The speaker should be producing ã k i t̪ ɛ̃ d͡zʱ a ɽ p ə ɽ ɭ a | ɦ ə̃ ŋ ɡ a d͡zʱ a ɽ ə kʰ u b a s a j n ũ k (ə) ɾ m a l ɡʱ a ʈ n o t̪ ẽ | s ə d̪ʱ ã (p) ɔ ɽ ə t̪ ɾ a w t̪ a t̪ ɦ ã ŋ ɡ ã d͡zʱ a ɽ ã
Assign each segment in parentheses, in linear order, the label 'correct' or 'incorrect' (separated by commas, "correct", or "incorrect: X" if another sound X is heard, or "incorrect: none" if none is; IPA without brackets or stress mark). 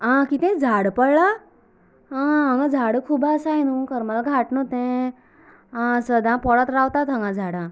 correct, correct